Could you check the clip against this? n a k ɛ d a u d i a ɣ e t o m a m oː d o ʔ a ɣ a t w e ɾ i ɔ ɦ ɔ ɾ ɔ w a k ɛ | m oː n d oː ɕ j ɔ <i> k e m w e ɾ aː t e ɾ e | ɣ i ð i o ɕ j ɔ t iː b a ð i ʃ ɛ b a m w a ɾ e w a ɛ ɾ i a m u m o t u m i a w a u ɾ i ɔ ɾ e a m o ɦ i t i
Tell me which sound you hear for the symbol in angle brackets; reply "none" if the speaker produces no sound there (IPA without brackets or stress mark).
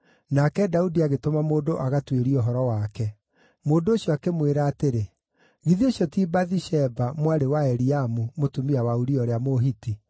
a